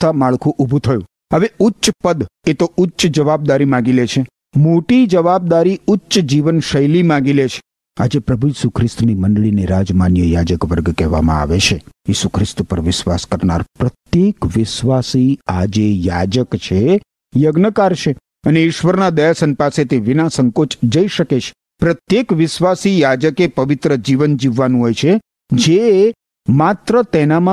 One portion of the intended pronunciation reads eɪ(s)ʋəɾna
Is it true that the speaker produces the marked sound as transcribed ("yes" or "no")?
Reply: no